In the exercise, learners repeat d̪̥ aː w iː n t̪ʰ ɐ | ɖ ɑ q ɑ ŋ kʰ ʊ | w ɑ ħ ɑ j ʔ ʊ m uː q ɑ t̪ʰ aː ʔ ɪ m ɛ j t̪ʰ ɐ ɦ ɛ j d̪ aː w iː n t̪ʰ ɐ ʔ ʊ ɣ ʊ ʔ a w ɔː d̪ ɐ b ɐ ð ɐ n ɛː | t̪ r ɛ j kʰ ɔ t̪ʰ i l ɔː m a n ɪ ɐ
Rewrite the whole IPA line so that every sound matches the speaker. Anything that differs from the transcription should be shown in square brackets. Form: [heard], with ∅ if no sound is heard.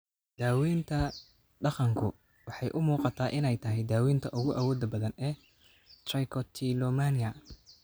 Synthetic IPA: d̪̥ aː w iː n t̪ʰ ɐ | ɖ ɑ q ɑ ŋ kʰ ʊ | w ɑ ħ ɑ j ʔ ʊ m uː q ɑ t̪ʰ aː ʔ ɪ [n] ɛ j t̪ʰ ɐ ɦ ɛ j d̪ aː w iː n t̪ʰ ɐ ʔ ʊ ɣ ʊ ʔ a w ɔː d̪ ɐ b ɐ ð ɐ n ɛː | t̪ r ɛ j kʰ ɔ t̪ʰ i l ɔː m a n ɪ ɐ

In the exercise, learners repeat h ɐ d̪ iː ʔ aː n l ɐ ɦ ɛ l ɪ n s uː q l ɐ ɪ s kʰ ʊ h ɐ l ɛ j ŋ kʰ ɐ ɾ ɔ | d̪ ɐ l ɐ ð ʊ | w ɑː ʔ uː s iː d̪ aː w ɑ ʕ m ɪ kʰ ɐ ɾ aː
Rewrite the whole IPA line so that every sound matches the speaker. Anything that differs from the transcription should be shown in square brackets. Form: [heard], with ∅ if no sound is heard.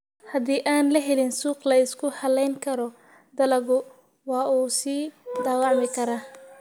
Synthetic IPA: h ɐ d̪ iː ʔ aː n l ɐ ɦ ɛ l ɪ n s uː q l ɐ ɪ s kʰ ʊ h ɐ l ɛ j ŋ kʰ ɐ ɾ ɔ | d̪ ɐ l ɐ [ɣ] ʊ | w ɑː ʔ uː s iː d̪ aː w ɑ ʕ m ɪ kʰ ɐ ɾ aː

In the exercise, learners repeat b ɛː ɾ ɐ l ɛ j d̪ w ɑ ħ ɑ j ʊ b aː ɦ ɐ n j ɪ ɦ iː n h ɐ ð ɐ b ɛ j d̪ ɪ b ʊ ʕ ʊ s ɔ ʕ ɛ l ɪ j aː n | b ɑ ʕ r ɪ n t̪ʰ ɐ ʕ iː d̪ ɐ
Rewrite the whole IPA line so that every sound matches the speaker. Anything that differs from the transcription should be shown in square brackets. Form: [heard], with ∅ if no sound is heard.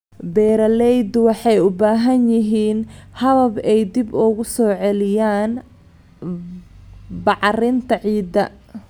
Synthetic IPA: b ɛː ɾ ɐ l ɛ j d̪ w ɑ ħ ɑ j ʊ b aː ɦ ɐ n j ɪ ɦ iː n h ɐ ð ɐ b ɛ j d̪ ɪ b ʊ [ɣ] ʊ s [ɔː] ʕ ɛ l ɪ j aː n | b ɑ ʕ r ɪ n t̪ʰ ɐ ʕ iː d̪ ɐ

